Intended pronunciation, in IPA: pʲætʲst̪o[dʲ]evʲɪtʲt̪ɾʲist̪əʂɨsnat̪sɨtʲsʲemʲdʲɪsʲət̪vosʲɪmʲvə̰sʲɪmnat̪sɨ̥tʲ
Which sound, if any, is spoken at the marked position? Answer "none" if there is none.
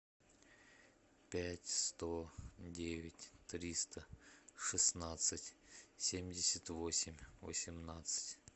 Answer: dʲ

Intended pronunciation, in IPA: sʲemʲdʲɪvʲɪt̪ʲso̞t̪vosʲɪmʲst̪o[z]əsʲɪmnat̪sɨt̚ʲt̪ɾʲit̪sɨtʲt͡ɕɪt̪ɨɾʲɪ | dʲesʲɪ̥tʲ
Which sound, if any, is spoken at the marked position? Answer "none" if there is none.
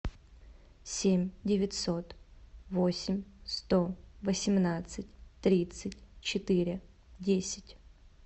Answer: v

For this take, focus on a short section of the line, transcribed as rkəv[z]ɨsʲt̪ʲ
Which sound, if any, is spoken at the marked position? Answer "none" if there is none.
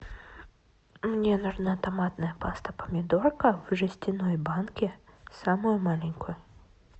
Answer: ʐ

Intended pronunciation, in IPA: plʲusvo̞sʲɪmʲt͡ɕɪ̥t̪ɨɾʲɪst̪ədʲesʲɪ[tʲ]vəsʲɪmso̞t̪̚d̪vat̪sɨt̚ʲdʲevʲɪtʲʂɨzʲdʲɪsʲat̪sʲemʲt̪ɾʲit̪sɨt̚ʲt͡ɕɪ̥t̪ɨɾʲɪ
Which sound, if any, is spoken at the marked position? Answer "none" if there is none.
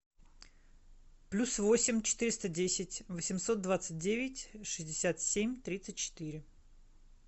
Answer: tʲ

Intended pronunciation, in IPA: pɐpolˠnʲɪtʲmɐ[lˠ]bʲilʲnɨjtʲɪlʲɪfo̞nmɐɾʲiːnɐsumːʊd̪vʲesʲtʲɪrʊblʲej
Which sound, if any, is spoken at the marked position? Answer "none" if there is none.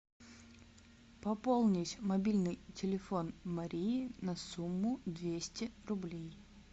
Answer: none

